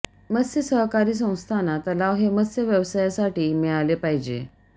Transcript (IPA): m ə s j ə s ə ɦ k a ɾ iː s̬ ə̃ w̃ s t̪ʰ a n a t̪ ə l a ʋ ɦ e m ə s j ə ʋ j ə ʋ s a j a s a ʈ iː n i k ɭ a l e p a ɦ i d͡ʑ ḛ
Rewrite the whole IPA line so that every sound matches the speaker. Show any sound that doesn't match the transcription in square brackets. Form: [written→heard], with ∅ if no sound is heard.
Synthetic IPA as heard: m ə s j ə s ə ɦ k a ɾ iː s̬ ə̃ w̃ s t̪ʰ a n a t̪ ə l a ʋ ɦ e m ə s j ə ʋ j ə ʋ s a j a s a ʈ iː [n→m] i [k→∅] ɭ a l e p a ɦ i d͡ʑ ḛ